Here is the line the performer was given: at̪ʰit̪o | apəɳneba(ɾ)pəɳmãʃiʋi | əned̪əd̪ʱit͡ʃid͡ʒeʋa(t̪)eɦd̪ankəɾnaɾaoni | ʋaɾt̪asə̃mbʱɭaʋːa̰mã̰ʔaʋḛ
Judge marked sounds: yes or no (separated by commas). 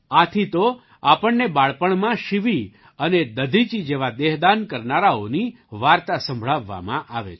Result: no, no